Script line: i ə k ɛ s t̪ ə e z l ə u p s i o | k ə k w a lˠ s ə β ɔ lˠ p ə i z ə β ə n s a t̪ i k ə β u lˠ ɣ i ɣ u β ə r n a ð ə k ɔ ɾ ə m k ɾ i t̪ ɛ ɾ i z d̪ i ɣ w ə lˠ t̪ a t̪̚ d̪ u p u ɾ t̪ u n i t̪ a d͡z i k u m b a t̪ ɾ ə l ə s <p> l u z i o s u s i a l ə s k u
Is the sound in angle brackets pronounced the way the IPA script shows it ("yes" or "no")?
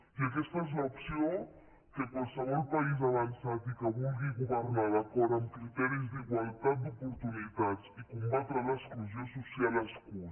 no